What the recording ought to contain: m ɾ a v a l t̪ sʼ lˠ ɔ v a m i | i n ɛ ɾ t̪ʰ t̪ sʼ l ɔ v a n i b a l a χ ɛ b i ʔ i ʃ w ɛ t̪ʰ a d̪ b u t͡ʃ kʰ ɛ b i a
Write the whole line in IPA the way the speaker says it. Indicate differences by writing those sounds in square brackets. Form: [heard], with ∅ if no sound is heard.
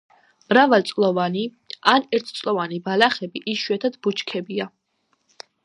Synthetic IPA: m ɾ a v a l t̪ sʼ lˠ ɔ v a [n] i | [a] n ɛ ɾ t̪ʰ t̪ sʼ l ɔ v a n i b a l a χ ɛ b i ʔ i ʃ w ɛ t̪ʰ a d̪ b u t͡ʃ kʰ ɛ b i a